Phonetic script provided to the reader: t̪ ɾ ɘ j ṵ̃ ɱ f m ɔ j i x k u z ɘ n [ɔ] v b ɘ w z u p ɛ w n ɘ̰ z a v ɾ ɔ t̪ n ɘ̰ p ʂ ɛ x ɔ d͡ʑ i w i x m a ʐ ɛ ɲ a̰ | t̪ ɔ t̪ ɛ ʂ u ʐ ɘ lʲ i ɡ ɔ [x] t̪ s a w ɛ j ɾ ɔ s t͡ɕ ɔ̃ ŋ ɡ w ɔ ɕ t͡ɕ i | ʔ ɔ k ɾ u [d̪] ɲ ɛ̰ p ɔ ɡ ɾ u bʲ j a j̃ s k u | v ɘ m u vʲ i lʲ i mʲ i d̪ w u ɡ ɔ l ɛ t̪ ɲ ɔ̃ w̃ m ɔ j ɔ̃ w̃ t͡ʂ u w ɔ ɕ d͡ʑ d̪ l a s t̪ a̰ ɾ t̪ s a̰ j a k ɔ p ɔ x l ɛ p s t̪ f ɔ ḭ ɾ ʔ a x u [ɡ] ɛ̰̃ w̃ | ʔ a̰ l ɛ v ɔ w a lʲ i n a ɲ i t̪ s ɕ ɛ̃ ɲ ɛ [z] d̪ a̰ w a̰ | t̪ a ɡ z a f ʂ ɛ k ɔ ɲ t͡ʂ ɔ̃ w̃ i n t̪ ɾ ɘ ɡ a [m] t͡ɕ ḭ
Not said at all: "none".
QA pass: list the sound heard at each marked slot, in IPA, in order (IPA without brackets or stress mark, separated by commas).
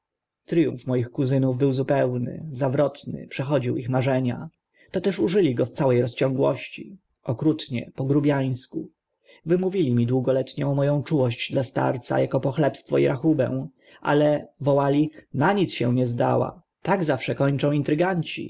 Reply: u, f, t̪, b, z, ɲ